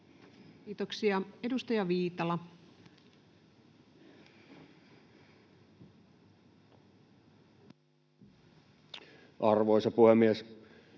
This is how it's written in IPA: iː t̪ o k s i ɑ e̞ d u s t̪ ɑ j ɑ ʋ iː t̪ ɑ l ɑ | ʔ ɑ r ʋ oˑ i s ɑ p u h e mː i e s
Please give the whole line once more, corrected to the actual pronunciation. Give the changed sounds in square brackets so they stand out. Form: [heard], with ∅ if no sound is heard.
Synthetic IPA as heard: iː t̪ o k s i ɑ e̞ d u s t̪ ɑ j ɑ ʋ iː t̪ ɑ l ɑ | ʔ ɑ r ʋ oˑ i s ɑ p u h e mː i e s